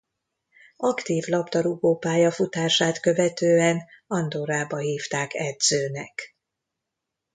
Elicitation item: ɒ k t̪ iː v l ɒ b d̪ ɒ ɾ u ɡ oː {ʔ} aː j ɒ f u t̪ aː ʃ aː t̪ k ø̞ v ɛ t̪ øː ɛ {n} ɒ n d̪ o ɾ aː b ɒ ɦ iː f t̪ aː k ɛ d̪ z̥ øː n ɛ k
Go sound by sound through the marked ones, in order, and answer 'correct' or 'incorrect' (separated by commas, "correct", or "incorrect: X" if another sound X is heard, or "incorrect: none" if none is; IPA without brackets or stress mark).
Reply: incorrect: p, correct